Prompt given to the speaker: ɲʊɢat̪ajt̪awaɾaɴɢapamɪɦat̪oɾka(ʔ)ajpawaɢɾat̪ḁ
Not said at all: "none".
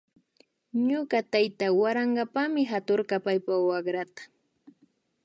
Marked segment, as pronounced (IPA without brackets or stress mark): p